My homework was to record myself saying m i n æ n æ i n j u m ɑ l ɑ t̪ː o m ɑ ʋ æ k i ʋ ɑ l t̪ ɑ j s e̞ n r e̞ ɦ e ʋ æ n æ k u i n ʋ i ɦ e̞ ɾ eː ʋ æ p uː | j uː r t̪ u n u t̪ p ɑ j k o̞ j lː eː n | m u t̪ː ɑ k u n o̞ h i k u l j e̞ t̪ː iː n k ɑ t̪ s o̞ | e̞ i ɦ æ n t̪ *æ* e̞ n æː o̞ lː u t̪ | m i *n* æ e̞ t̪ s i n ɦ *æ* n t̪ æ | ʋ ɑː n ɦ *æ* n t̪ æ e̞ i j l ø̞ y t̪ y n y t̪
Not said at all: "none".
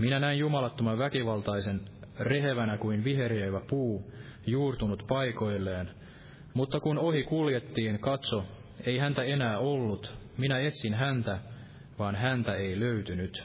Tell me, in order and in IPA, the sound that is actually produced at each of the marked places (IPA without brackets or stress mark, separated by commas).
æ, n, æ, æ